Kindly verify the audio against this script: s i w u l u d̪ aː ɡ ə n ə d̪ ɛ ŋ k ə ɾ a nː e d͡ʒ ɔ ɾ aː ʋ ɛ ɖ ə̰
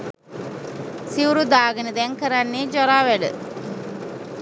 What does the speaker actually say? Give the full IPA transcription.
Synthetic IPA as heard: s i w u ɾ u d̪ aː ɡ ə n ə d̪ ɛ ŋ k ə ɾ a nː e d͡ʒ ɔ ɾ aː ʋ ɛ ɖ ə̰